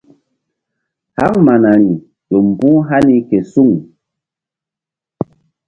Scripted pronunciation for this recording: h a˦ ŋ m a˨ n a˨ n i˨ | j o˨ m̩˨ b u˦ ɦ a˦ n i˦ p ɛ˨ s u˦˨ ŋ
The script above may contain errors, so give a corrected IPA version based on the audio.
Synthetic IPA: h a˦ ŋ m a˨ n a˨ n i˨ | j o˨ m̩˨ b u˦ ɦ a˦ n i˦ k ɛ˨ s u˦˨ ŋ